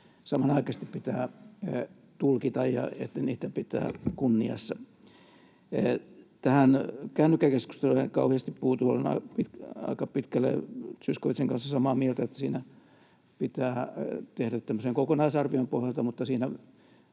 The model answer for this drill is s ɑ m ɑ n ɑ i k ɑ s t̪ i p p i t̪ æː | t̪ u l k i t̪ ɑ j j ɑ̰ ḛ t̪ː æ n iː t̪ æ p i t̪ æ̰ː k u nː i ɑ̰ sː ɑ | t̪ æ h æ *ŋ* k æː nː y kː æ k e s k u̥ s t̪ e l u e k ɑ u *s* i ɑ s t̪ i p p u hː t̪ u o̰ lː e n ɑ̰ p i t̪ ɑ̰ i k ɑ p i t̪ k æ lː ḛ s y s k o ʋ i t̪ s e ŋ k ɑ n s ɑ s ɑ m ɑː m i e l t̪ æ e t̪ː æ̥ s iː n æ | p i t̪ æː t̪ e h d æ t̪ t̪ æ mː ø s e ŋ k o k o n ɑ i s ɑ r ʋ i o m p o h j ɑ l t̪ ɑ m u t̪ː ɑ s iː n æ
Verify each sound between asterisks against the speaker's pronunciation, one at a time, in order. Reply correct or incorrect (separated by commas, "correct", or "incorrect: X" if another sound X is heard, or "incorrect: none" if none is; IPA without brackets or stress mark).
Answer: incorrect: n, incorrect: h